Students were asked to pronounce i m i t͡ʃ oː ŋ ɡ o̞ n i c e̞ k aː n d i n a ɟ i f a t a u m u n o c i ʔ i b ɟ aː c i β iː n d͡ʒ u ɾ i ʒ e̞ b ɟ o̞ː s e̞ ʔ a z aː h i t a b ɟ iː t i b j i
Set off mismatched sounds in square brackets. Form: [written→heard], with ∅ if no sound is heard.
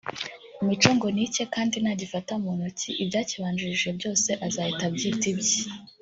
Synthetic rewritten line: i m i t͡ʃ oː ŋ ɡ o̞ n i c e̞ k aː n d i n a ɟ i f a t a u m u n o c i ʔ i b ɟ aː c i β [iː→aː] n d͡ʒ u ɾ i ʒ e̞ b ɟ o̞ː s e̞ ʔ a z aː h i t a b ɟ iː t i b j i

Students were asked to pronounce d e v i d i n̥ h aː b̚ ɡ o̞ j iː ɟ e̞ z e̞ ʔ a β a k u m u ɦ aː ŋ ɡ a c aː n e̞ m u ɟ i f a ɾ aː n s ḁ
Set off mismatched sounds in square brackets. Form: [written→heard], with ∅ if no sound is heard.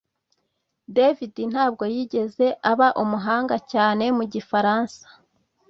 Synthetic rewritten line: d e v i d i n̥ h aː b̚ ɡ o̞ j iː ɟ e̞ z e̞ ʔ a β a [k→ʔ] u m u ɦ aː ŋ ɡ a c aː n e̞ m u ɟ i f a ɾ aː n s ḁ

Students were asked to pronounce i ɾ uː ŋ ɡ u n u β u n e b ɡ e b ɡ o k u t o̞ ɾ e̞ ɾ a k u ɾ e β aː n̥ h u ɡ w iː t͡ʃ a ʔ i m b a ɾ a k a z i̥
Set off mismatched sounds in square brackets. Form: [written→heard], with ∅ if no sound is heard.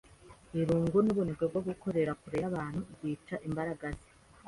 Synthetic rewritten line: i ɾ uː ŋ ɡ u n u β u n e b ɡ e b ɡ o [k→ɡ] u [t→k] o̞ ɾ e̞ ɾ a k u ɾ e β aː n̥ h u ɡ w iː t͡ʃ a ʔ i m b a ɾ a [k→ɡ] a z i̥

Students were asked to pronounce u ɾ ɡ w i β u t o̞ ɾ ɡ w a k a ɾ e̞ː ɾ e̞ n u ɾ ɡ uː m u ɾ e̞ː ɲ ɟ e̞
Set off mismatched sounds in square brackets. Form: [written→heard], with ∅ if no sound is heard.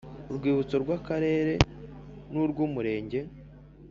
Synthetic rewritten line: u ɾ ɡ w [i→iː] β u [t→t͡s] o̞ ɾ ɡ w a k a ɾ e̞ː ɾ e̞ n u ɾ ɡ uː m u ɾ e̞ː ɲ ɟ e̞

